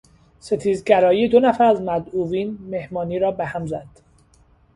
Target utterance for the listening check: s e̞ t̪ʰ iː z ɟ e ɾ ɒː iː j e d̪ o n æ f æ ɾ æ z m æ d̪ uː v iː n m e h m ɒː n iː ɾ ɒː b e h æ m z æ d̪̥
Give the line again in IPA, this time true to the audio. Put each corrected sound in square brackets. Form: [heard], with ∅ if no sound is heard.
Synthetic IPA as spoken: s e̞ t̪ʰ iː z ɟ [æ] ɾ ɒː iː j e d̪ o n æ f æ ɾ æ z m æ d̪ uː v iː n m e h m ɒː n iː ɾ ɒː b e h æ m z æ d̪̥